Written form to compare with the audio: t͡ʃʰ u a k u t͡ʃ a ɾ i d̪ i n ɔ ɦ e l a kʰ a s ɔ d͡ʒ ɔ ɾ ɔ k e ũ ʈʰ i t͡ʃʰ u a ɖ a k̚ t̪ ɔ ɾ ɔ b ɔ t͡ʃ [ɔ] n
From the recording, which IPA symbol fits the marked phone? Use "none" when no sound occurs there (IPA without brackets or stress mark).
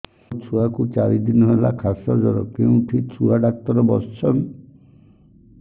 ɔ